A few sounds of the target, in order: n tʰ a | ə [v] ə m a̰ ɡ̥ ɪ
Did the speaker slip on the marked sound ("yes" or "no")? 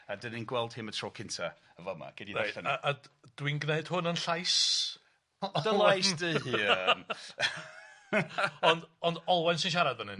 no